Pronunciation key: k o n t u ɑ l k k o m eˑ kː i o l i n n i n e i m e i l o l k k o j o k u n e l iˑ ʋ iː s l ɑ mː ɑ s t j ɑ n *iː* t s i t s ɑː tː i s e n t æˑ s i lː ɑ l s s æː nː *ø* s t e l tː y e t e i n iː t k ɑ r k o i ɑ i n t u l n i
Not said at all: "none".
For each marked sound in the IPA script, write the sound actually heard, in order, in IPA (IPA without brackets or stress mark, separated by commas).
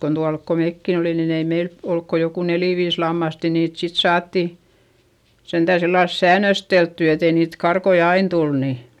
iː, ø